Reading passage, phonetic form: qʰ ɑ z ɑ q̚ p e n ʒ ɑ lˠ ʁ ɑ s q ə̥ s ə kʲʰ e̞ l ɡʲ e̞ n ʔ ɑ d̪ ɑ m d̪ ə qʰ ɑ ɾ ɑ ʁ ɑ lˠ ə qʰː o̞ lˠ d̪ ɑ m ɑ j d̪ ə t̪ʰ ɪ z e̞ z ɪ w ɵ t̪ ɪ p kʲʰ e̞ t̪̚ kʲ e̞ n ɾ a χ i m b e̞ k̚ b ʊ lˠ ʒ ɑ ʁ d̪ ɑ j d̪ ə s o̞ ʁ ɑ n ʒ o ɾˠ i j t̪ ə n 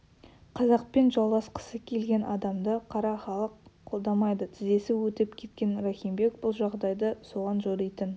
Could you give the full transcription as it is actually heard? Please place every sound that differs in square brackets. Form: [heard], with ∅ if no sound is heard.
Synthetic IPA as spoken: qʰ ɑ z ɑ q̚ p e n ʒ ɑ lˠ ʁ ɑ s q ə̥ s ə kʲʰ e̞ l ɡʲ e̞ n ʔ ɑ d̪ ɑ m d̪ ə qʰ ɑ ɾ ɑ [χ] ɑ lˠ ə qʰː o̞ lˠ d̪ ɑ m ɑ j d̪ ə t̪ʰ ɪ z e̞ [s] ɪ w ɵ t̪ ɪ p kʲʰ e̞ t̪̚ kʲ e̞ n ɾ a χ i m b e̞ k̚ b ʊ lˠ ʒ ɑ ʁ d̪ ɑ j d̪ ə s o̞ ʁ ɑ n ʒ o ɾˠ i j t̪ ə n